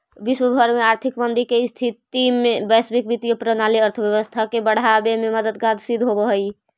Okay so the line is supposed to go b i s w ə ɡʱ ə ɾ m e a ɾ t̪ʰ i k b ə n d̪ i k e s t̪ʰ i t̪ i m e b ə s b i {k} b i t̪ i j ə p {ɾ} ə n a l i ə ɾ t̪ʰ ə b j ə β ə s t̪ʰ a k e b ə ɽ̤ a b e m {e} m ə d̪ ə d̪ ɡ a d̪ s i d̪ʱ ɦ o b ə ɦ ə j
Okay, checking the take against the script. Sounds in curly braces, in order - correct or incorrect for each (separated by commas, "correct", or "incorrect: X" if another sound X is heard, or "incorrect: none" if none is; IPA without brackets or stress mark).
correct, correct, correct